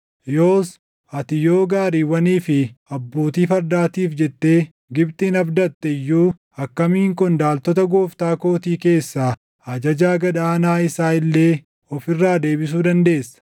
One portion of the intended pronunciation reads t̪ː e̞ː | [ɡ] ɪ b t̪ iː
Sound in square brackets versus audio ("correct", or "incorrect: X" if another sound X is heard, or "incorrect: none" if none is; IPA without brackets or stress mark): correct